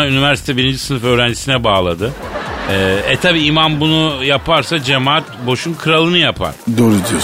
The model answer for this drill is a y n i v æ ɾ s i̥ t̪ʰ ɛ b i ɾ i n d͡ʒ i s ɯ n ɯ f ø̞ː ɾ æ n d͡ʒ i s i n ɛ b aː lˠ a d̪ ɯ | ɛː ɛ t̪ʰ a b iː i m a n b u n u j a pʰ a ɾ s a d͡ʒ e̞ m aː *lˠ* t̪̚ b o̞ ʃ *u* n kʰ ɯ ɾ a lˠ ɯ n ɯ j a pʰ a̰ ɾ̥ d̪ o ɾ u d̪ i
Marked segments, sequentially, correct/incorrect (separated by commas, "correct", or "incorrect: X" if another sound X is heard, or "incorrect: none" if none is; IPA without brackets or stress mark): incorrect: none, correct